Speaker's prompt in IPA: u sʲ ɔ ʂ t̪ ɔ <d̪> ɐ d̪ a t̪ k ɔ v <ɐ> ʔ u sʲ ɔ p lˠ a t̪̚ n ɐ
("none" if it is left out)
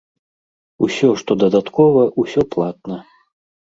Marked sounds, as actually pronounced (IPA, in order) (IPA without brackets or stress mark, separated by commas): d̪, ɐ